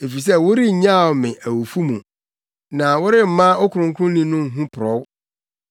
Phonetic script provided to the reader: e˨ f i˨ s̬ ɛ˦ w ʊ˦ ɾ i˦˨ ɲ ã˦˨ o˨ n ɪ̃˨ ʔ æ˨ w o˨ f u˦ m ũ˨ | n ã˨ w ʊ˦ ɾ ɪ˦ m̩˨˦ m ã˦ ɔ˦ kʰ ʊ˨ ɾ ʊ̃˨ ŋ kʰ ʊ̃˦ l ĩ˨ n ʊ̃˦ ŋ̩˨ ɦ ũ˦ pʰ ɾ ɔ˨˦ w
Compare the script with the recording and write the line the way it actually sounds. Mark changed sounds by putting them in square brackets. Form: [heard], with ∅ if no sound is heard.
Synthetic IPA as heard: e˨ f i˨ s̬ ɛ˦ w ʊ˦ ɾ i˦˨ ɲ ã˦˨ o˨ [m] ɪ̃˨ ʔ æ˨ w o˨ f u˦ m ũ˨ | n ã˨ w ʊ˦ ɾ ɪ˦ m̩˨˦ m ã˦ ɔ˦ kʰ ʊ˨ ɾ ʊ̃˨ ŋ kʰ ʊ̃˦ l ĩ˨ n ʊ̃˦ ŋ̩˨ ɦ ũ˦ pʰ ɾ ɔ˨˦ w